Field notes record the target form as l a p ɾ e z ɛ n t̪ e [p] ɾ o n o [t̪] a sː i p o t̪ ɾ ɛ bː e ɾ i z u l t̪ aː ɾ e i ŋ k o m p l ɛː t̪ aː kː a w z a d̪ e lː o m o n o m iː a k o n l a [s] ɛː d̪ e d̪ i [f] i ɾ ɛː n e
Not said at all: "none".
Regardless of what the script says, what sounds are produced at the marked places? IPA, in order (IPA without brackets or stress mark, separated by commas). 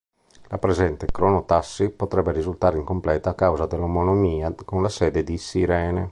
k, t̪, s, s